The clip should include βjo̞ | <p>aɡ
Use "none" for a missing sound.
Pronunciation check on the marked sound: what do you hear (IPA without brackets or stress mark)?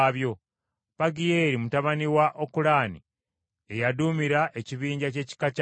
p